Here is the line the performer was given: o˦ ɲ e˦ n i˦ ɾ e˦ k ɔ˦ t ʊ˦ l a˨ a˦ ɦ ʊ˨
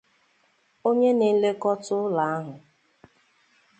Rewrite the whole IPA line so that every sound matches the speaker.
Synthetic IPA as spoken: o˦ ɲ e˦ n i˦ l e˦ k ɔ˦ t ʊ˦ l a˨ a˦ ɦ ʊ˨